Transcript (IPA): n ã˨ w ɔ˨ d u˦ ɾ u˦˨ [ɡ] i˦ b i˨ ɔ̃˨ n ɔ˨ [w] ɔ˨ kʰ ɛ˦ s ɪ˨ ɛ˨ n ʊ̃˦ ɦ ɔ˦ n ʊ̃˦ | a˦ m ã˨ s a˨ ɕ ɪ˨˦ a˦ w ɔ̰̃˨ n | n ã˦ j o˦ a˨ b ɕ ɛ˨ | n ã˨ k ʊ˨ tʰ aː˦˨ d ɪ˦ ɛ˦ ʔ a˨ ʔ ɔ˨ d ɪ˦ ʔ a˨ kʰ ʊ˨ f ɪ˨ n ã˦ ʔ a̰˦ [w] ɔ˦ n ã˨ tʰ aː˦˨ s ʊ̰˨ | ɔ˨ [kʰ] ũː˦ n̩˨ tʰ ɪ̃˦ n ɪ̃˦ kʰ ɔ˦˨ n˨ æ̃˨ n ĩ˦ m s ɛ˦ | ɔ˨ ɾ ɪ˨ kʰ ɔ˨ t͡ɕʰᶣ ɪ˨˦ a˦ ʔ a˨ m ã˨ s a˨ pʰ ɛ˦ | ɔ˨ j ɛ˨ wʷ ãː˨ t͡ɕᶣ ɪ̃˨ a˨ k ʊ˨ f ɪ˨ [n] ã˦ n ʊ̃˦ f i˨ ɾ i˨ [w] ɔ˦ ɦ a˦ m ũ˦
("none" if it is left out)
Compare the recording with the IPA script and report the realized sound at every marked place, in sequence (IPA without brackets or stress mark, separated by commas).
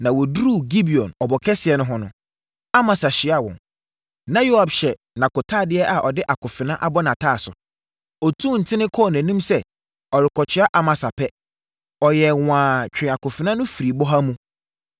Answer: ɡ, b, b, tʰ, n, b